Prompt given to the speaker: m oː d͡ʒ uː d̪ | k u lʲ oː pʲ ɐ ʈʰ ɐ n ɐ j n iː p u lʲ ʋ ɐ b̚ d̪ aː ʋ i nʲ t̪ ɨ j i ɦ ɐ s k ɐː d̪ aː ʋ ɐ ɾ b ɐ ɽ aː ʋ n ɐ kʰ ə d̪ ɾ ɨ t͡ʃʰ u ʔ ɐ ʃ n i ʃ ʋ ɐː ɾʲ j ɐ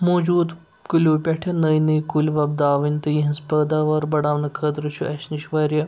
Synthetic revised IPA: m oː d͡ʒ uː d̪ | k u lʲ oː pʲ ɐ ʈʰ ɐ n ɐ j n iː k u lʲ ʋ ɐ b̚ d̪ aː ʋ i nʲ t̪ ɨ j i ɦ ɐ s p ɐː d̪ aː ʋ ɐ ɾ b ɐ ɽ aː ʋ n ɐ kʰ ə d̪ ɾ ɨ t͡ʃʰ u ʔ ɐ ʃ n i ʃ ʋ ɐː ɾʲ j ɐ